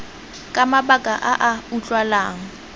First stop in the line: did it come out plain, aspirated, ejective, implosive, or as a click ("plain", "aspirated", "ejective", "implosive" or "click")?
ejective